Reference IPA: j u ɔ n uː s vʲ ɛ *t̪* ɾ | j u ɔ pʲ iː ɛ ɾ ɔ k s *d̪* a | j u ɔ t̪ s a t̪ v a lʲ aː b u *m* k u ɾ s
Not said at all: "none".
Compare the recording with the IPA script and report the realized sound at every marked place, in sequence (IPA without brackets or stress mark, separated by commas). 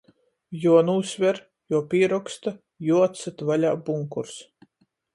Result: none, t̪, ŋ